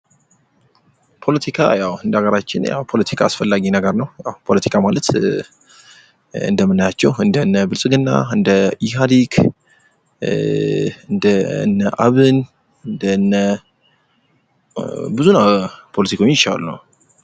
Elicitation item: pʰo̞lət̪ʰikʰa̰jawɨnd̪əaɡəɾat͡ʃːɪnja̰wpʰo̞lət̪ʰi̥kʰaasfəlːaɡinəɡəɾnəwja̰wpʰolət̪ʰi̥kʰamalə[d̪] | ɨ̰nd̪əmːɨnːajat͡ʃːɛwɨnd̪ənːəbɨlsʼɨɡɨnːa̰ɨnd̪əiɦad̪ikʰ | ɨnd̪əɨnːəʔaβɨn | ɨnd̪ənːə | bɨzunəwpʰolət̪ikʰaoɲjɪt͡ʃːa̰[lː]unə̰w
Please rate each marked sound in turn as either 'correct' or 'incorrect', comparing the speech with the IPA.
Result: incorrect: t̪, incorrect: l

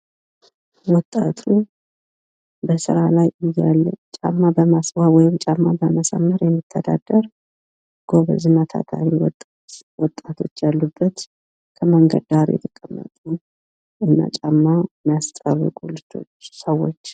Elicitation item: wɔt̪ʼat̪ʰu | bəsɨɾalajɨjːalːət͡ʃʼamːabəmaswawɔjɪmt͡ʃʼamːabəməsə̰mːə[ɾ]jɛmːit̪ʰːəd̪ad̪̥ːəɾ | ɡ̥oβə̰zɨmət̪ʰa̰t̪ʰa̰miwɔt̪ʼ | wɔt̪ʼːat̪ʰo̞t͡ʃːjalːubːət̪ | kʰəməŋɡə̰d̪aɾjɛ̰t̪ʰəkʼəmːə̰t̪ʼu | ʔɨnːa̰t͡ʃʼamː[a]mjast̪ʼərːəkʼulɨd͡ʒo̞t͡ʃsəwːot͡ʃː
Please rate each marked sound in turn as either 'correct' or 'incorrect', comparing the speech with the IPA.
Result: correct, correct

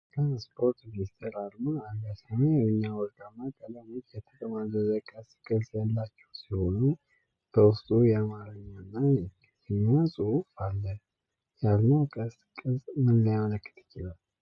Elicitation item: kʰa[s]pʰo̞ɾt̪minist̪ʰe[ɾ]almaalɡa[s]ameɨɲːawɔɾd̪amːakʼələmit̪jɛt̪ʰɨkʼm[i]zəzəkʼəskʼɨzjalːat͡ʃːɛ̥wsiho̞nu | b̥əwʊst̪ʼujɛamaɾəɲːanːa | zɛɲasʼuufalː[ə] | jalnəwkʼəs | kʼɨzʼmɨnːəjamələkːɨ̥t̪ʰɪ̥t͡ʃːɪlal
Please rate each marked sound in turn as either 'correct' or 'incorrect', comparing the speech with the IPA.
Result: correct, correct, correct, incorrect: a, correct

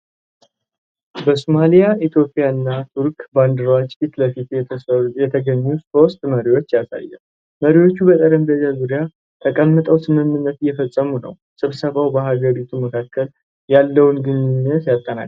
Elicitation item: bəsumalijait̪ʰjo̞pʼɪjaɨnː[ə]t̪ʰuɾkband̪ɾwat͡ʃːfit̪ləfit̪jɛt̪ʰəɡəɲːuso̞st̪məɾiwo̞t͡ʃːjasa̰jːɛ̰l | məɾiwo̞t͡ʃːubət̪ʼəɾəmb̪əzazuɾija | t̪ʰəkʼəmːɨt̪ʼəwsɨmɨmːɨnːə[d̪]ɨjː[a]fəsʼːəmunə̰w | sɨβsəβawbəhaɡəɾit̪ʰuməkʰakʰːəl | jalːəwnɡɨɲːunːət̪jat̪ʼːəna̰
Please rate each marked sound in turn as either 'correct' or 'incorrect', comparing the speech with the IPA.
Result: incorrect: a, incorrect: t̪, incorrect: ɛ

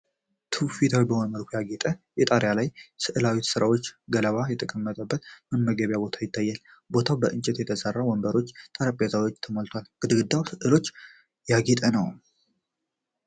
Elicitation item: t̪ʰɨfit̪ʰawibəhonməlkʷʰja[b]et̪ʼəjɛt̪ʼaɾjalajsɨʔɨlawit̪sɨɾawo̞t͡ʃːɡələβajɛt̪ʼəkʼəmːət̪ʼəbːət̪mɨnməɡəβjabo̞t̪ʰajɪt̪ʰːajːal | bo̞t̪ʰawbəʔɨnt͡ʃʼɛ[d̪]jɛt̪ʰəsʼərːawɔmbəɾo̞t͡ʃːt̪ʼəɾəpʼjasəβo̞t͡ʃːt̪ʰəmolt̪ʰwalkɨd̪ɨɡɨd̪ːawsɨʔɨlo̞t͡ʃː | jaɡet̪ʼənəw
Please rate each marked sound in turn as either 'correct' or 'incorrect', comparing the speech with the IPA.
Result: incorrect: ɡ, incorrect: t̪

